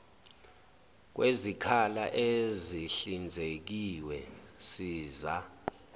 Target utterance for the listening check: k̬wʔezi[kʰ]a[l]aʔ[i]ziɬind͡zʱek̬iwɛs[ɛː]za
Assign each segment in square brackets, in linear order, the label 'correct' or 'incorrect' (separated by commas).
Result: correct, correct, incorrect, incorrect